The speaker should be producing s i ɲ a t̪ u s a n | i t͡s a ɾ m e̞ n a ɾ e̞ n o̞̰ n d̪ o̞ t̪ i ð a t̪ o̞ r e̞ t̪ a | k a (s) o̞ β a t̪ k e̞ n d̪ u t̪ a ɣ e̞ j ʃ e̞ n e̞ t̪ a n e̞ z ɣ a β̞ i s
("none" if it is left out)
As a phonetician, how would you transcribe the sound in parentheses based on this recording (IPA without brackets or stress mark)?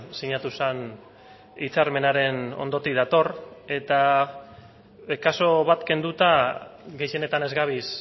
s